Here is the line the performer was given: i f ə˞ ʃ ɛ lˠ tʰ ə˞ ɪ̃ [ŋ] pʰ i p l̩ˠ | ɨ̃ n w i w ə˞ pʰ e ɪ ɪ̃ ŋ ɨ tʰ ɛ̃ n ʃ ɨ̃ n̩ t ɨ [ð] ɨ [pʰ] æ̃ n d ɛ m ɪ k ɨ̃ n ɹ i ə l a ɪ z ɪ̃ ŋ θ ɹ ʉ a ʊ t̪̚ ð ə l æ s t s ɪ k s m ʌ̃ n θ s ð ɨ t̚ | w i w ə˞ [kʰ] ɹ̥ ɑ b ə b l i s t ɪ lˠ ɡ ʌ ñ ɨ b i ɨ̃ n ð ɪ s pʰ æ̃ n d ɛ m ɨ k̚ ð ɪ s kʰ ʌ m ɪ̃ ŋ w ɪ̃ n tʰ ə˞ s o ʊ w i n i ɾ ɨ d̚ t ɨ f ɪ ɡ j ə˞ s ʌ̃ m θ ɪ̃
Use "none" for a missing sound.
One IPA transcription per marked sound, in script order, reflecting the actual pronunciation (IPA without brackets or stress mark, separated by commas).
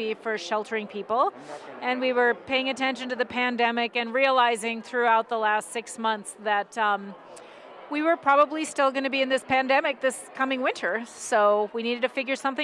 ŋ, ð, pʰ, pʰ